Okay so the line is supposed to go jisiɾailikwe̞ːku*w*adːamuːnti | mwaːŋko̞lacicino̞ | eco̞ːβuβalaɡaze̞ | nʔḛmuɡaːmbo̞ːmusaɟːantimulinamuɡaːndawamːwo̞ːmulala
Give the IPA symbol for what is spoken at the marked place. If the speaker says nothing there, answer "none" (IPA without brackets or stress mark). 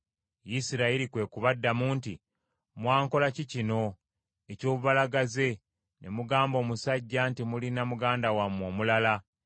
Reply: β